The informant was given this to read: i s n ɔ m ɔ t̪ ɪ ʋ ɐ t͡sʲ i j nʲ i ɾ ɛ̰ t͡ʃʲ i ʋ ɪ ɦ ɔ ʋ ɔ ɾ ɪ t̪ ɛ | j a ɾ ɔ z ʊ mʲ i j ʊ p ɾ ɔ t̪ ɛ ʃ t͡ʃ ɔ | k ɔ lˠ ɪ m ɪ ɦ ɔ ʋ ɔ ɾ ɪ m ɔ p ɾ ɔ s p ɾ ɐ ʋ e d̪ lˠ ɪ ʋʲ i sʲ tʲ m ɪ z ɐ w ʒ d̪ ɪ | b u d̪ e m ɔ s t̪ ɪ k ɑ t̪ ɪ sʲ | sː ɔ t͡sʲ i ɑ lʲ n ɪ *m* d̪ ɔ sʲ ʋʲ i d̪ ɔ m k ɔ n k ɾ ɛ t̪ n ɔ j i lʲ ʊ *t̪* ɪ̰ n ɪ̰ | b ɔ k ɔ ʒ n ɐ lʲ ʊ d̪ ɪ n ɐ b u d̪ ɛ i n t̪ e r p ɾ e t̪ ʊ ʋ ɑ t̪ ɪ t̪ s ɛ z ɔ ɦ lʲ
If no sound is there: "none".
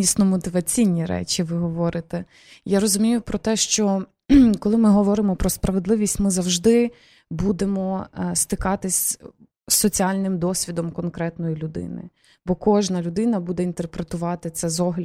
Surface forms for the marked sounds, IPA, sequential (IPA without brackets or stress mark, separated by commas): m, d̪